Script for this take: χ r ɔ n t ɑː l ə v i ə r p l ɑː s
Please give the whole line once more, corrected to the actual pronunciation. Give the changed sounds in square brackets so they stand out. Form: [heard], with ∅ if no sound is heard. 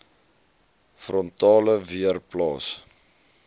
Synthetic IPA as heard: [f] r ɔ n t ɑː l ə v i ə r p l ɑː s

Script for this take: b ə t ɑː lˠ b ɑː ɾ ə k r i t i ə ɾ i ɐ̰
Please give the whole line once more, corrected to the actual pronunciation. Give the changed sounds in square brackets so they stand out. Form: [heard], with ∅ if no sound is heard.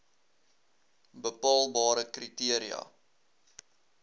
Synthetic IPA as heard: b ə [p] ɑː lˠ b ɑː ɾ ə k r i t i ə ɾ i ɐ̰

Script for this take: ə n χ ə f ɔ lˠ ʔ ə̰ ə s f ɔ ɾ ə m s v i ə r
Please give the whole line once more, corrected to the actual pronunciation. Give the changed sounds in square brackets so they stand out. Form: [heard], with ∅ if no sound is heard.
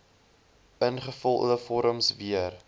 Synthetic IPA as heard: ə n χ ə f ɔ lˠ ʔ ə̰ ə [∅] f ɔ ɾ ə m s v i ə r

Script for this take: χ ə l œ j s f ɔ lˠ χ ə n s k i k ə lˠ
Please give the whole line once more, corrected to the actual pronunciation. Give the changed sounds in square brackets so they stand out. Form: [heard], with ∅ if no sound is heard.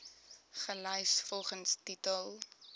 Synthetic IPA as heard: χ ə l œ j s f ɔ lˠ χ ə n s [t] i [t] ə lˠ

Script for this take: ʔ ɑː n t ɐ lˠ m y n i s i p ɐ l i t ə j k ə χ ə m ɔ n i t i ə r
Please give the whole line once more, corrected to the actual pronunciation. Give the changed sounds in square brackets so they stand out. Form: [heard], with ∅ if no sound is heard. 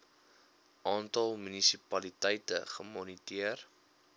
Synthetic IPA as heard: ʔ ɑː n t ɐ lˠ m y n i s i p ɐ l i t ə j [t] ə χ ə m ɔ n i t i ə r

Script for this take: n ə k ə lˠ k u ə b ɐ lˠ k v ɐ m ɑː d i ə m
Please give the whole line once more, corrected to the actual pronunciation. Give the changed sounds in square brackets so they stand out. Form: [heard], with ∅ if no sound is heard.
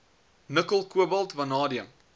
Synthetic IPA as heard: n ə k ə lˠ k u ə b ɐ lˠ [t] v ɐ [n] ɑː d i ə m

